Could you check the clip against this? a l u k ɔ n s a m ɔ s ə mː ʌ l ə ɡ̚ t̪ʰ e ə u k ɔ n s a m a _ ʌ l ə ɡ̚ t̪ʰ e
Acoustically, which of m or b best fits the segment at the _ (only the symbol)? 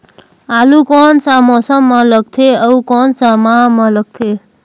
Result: m